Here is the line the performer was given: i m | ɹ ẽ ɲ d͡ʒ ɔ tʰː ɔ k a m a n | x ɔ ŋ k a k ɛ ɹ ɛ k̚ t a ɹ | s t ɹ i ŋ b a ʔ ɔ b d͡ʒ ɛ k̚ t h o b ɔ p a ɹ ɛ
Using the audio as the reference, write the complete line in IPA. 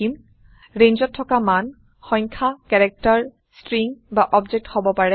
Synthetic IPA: i m | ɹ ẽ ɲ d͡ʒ ɔ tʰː ɔ k a m a n | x ɔ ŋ kʰ a k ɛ ɹ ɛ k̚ t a ɹ | s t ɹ i ŋ b a ʔ ɔ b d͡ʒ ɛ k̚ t h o b ɔ p a ɹ ɛ